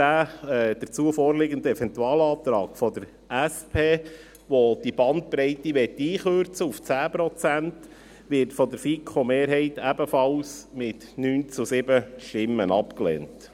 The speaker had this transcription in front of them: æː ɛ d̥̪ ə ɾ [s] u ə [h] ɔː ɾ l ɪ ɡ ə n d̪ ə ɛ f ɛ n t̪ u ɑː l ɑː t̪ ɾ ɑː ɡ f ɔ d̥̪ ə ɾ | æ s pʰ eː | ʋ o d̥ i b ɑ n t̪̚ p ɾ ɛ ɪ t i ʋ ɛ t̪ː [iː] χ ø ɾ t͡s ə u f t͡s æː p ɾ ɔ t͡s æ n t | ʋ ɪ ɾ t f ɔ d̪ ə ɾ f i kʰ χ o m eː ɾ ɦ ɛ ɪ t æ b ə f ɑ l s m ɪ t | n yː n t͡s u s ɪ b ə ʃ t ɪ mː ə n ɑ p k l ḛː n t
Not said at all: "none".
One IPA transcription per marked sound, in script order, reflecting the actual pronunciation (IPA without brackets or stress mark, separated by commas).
t͡s, f, iː